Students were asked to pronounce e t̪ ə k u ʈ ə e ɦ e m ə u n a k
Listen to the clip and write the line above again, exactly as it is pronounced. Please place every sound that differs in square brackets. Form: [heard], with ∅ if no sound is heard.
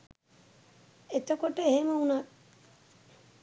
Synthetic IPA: e t̪ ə k [o] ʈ ə e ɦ e m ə u n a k